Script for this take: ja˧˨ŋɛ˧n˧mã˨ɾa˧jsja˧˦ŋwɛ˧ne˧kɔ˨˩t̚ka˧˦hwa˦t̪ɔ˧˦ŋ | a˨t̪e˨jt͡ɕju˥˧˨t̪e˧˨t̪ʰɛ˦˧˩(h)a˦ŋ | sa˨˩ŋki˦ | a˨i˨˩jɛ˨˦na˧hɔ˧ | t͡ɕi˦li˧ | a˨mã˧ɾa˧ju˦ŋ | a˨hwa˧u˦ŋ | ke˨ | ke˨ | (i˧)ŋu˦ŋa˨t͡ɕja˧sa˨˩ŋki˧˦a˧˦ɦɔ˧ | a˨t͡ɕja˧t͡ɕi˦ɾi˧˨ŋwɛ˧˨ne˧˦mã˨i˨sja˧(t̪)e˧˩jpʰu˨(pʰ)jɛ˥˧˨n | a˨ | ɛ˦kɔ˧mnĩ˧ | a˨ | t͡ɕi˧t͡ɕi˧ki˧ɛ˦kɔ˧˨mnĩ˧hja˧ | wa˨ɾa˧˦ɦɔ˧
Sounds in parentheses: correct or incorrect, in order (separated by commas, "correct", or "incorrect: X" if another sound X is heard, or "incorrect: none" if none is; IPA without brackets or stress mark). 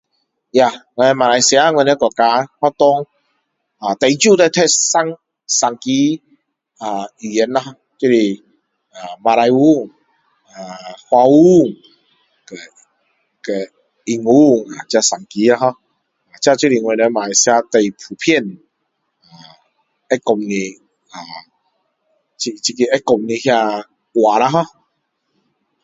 incorrect: s, correct, correct, correct